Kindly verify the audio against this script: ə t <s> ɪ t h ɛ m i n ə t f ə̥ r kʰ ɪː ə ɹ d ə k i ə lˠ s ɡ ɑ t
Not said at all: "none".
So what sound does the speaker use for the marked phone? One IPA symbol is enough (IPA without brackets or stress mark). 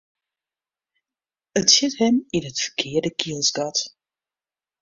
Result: s